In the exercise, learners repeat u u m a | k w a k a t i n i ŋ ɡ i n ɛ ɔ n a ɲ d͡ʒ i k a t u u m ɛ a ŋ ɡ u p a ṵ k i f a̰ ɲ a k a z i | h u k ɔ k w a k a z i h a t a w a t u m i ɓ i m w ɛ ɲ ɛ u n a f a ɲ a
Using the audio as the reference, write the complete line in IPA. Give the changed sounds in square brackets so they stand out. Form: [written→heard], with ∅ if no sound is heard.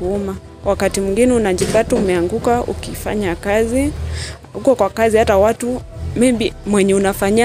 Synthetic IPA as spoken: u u m a | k w a k a t i [n→m] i ŋ ɡ i n ɛ [ɔ→u] n a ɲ d͡ʒ i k a t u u m ɛ a ŋ ɡ u [p→k] a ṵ k i f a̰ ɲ a k a z i | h u k ɔ k w a k a z i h a t a w a t u m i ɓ i m w ɛ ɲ ɛ u n a f a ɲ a